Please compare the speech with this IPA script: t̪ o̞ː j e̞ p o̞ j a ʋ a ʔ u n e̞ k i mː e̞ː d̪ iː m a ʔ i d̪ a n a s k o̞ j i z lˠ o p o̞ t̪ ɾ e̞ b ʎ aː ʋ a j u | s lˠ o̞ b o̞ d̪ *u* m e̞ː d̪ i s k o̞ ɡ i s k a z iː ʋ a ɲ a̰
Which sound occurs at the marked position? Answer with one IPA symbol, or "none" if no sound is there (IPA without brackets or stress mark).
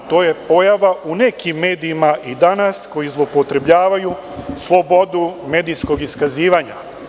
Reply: u